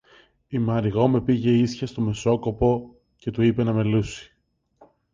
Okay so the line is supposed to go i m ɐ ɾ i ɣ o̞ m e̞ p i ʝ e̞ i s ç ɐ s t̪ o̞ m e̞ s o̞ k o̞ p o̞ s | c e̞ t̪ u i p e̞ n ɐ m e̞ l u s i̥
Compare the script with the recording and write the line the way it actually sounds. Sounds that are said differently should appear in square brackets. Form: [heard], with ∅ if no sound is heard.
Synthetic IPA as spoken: i m ɐ ɾ i ɣ o̞ m e̞ p i ʝ e̞ i s ç ɐ s t̪ o̞ m e̞ s o̞ k o̞ p o̞ [∅] | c e̞ t̪ u i p e̞ n ɐ m e̞ l u s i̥